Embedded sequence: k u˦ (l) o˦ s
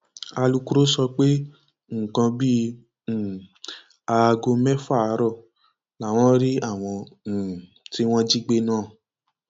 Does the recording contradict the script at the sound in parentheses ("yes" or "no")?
yes